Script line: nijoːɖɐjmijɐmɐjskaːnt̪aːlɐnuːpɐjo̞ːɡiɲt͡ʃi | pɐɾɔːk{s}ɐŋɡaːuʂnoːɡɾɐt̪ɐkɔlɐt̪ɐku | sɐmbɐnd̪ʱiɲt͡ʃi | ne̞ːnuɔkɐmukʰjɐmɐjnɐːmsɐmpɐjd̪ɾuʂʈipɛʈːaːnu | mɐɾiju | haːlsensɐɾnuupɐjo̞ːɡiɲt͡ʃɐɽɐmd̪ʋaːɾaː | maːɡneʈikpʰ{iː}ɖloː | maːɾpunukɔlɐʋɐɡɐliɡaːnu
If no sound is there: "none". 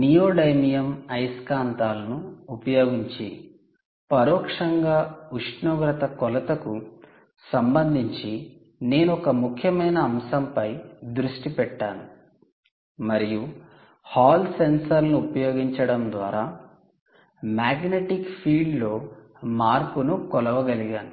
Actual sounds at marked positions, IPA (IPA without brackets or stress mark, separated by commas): ʂ, iː